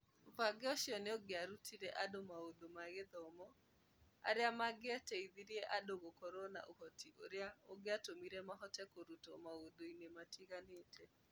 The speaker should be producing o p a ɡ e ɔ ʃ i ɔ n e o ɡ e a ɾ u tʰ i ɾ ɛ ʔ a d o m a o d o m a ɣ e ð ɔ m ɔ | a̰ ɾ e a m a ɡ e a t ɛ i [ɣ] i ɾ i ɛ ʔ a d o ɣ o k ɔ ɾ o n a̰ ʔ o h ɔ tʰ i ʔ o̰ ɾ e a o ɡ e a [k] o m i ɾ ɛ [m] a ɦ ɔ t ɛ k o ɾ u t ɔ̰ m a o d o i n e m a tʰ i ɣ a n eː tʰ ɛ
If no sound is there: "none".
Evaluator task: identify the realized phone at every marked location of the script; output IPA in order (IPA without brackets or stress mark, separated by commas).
ð, t, m